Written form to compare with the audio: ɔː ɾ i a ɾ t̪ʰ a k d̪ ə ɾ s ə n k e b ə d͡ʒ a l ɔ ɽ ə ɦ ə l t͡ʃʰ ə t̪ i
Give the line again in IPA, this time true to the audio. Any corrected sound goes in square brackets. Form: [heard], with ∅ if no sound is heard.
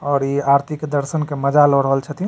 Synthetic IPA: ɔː ɾ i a ɾ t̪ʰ [i] k d̪ ə ɾ s ə n k e [m] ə d͡ʒ a l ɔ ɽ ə ɦ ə l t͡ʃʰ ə t̪ i